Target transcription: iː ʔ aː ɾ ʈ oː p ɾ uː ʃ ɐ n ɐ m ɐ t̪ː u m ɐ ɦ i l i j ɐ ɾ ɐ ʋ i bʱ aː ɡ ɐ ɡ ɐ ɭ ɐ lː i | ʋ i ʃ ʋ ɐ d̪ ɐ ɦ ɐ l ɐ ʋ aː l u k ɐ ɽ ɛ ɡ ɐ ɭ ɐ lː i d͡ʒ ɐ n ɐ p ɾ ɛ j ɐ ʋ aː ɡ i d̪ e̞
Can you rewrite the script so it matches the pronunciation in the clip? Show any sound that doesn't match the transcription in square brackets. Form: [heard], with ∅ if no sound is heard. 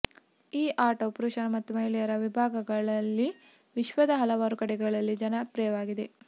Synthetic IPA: iː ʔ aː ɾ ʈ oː p ɾ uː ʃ ɐ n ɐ m ɐ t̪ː u m ɐ ɦ i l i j ɐ ɾ ɐ ʋ i bʱ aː ɡ ɐ ɡ ɐ ɭ ɐ lː i | ʋ i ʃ ʋ ɐ d̪ ɐ ɦ ɐ l ɐ ʋ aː [ɾ] u k ɐ ɽ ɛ ɡ ɐ ɭ ɐ lː i d͡ʒ ɐ n ɐ p ɾ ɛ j ɐ ʋ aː ɡ i d̪ e̞